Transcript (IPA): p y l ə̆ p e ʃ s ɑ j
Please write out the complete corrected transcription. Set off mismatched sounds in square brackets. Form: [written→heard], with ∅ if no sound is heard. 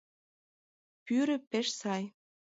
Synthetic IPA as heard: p y [l→ɾ] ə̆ p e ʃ s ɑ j